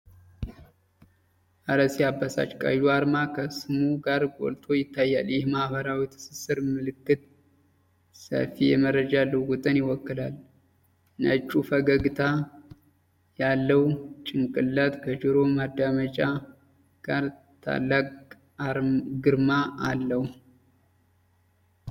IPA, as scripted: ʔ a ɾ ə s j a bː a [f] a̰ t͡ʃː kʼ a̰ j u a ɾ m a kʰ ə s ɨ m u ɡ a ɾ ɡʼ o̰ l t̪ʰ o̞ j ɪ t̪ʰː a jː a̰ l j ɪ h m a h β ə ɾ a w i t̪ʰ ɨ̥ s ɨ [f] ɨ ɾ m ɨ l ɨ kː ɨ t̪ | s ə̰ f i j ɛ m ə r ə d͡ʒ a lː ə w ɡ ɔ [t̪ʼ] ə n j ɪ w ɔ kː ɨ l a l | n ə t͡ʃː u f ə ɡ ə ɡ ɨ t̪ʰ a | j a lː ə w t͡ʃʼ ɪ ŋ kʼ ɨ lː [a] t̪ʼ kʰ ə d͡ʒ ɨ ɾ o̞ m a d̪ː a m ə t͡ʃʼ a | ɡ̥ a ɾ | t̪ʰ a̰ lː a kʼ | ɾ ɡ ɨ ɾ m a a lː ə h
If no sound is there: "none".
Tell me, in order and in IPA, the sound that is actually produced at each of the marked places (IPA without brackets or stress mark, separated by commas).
s, s, t̪ʼ, a